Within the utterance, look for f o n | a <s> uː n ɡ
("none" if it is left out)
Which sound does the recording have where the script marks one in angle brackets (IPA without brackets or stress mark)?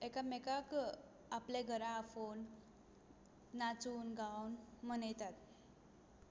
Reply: t͡s